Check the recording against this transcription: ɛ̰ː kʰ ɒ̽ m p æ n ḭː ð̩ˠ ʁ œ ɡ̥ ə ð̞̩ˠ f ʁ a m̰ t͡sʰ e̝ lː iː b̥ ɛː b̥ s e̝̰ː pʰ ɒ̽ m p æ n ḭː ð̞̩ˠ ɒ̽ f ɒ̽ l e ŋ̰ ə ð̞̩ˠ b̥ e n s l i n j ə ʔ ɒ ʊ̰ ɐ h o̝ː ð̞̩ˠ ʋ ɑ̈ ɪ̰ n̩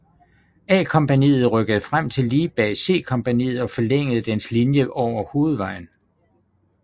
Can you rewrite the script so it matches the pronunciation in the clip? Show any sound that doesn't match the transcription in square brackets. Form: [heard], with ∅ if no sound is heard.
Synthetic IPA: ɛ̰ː kʰ ɒ̽ m p æ n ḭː ð̩ˠ ʁ œ ɡ̥ ə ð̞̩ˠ f ʁ a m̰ t͡sʰ e̝ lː iː b̥ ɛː [∅] s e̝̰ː [kʰ] ɒ̽ m p æ n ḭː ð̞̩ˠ ɒ̽ f ɒ̽ l e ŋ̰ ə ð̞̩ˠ [d̥] e n s l i n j ə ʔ ɒ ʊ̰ ɐ h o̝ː ð̞̩ˠ ʋ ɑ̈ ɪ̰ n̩

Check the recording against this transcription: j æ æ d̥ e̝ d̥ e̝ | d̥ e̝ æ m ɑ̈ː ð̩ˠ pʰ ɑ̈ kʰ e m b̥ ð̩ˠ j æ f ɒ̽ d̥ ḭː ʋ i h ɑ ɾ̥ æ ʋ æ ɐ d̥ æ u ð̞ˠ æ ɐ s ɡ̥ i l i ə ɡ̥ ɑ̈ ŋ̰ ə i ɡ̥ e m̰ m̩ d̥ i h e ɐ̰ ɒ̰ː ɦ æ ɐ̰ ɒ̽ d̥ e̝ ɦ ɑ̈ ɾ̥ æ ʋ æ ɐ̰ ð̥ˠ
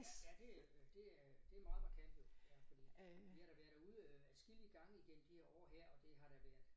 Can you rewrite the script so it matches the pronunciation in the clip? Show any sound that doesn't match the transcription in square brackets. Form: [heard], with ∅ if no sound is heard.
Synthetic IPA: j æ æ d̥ e̝ d̥ e̝ | d̥ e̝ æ m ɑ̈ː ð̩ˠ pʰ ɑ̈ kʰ e m b̥ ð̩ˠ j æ f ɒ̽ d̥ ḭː ʋ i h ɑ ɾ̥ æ ʋ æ ɐ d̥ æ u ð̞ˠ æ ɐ s ɡ̥ i l i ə ɡ̥ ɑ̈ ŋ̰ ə i ɡ̥ e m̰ m̩ d̥ i h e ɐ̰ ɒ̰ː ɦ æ ɐ̰ ɒ̽ d̥ e̝ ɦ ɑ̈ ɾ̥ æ ʋ æ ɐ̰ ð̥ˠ

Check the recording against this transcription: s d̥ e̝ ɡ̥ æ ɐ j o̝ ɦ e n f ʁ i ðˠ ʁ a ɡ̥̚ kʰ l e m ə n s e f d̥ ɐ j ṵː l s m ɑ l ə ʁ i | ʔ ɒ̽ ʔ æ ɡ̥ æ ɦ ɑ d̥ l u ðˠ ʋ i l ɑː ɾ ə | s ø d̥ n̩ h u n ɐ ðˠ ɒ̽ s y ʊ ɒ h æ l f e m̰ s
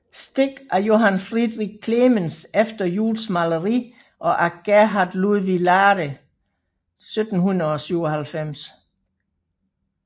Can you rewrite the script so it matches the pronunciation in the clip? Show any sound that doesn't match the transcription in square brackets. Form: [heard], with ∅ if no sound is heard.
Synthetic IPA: s d̥ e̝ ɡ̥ æ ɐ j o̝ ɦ [æ] n f ʁ i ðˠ ʁ [i] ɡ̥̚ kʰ l e m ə n s e f d̥ ɐ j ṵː l s m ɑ l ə ʁ i | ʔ ɒ̽ ʔ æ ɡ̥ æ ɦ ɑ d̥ l u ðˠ ʋ i l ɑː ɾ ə | s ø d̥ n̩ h u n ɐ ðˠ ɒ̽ s y ʊ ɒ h æ l f e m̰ s

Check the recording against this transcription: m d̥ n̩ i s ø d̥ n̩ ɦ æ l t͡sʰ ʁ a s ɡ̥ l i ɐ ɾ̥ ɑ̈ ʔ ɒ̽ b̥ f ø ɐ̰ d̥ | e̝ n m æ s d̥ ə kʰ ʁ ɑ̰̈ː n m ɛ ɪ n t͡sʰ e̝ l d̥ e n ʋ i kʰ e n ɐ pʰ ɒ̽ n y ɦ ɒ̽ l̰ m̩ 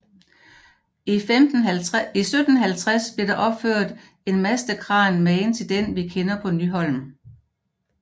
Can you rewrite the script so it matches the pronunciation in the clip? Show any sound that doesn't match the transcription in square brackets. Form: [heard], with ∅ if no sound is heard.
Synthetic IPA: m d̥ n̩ i s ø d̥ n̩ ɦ æ l t͡sʰ ʁ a s [b̥] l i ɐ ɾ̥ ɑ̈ ʔ ɒ̽ b̥ f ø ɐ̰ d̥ | e̝ n m æ s d̥ ə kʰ ʁ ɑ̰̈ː n m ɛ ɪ n t͡sʰ e̝ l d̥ e n ʋ i kʰ e n ɐ pʰ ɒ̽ n y ɦ ɒ̽ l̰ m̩

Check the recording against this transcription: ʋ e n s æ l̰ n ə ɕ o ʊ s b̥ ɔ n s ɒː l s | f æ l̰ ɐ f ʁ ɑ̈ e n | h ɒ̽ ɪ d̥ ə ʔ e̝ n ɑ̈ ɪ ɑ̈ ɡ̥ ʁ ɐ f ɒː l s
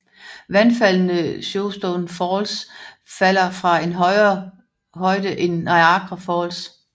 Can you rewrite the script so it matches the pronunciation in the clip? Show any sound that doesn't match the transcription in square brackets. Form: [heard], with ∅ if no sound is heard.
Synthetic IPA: ʋ [æ] n [f] æ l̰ n ə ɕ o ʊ s [d̥] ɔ n [f] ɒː l s | f æ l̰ ɐ f ʁ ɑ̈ e n | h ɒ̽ ɪ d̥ ə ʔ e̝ n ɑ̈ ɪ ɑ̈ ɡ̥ ʁ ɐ f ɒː l s

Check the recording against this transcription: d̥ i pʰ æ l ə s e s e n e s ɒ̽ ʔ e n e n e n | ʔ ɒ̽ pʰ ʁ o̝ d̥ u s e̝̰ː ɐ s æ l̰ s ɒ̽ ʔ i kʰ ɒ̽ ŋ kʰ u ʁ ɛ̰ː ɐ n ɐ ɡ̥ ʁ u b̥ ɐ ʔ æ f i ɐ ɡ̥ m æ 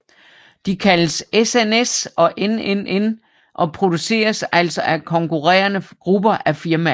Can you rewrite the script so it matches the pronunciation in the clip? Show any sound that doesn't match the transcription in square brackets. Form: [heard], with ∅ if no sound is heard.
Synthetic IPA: d̥ i [kʰ] æ l ə s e s e n e s ɒ̽ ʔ e n e n e n | ʔ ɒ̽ pʰ ʁ o̝ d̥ u s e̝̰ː ɐ s æ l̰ s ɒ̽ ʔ [æ] kʰ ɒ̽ ŋ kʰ u ʁ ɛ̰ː ɐ n [ə] ɡ̥ ʁ u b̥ ɐ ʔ æ f i ɐ [∅] m æ

